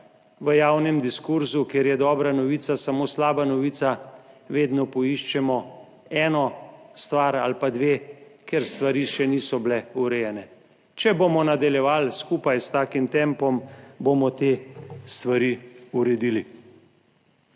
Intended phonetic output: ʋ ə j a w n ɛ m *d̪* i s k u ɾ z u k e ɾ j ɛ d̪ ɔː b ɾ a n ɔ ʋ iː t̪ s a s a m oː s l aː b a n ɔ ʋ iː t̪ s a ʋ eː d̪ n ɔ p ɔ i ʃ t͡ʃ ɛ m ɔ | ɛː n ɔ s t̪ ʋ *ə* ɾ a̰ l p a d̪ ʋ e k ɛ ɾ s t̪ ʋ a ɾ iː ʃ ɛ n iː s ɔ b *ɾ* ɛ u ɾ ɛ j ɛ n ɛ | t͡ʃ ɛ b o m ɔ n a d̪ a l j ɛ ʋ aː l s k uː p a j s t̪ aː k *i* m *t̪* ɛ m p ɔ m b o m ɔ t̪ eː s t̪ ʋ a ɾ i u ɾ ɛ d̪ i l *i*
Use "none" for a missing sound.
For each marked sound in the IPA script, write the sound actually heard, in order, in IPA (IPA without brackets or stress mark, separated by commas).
d̪, a, l, i, t̪, i